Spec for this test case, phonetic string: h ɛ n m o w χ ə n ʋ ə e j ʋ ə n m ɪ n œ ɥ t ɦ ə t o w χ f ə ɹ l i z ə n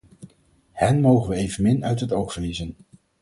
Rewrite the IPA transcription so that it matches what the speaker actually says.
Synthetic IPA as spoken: h ɛ n m o w χ ə n ʋ ə e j v ə n m ɪ n œ ɥ t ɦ ə t o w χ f ə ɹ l i z ə n